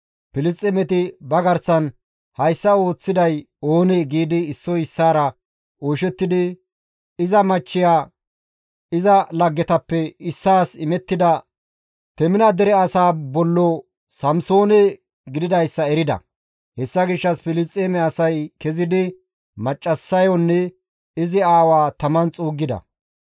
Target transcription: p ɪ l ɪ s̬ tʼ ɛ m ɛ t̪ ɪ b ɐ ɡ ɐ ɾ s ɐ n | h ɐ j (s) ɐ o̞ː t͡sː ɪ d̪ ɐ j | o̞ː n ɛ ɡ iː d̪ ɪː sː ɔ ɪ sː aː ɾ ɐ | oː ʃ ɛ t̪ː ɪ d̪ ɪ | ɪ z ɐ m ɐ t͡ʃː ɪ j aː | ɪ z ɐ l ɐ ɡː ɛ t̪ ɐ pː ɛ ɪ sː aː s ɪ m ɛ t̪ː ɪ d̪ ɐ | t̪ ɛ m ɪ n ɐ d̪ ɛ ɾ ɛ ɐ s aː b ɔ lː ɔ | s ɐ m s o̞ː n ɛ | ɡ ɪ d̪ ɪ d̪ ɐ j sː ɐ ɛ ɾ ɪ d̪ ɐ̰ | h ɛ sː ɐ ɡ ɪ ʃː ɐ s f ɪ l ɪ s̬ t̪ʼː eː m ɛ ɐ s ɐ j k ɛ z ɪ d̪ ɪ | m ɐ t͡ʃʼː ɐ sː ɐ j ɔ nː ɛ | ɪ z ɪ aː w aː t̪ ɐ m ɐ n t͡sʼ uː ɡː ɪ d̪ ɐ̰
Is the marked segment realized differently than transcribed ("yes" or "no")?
yes